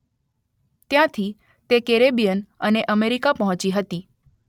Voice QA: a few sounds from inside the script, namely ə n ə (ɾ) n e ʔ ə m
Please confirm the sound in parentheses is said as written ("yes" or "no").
no